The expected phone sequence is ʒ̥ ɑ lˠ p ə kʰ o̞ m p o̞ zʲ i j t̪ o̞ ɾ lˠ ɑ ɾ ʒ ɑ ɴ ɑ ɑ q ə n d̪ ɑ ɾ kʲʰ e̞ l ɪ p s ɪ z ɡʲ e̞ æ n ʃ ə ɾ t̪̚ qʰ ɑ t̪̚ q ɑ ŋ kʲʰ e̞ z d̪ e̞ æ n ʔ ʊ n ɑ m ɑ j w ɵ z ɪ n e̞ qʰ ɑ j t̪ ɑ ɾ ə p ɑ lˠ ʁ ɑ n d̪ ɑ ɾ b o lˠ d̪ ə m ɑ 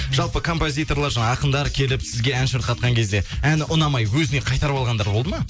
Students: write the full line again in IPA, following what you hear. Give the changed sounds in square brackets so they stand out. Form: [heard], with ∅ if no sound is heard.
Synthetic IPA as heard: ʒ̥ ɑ lˠ p ə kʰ o̞ m p o̞ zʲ i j t̪ o̞ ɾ lˠ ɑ ɾ ʒ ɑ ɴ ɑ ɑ q ə n d̪ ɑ ɾ kʲʰ e̞ l ɪ p s ɪ z ɡʲ e̞ æ n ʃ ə ɾ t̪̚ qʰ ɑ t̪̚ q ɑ ŋ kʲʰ e̞ z d̪ e̞ æ n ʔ ʊ n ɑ m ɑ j w ɵ z ɪ n e̞ qʰ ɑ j t̪ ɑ ɾ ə p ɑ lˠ ʁ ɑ n d̪ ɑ ɾ b o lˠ d̪ ə m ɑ